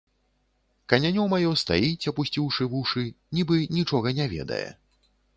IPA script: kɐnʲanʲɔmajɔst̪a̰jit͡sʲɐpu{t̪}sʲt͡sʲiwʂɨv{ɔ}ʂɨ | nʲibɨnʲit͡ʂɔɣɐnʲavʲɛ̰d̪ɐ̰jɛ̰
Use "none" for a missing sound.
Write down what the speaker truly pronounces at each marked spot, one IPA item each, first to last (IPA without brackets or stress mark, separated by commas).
none, u